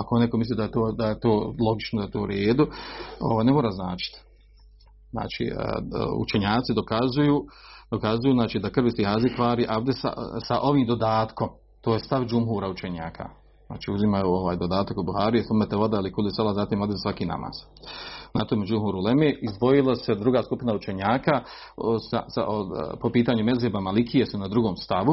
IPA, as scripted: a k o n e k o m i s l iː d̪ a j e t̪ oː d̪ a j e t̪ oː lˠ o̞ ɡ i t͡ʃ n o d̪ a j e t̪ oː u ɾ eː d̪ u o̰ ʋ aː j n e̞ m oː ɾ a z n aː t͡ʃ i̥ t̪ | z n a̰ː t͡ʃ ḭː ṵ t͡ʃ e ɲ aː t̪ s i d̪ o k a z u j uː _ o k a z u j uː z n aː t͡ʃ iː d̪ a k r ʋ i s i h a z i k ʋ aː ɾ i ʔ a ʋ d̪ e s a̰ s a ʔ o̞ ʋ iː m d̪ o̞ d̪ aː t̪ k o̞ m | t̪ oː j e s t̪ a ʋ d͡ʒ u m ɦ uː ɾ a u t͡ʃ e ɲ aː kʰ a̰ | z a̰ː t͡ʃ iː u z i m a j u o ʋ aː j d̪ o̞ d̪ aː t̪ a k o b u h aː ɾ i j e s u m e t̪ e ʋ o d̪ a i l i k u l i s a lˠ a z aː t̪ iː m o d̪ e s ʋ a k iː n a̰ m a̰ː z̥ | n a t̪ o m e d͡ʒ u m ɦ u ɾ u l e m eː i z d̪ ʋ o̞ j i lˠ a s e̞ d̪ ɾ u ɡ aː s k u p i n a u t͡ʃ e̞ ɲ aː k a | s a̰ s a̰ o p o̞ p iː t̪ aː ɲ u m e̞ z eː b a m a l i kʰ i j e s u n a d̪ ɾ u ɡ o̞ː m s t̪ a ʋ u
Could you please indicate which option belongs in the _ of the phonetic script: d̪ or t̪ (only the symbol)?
d̪